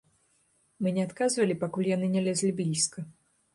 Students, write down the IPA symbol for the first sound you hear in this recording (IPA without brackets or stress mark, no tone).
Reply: m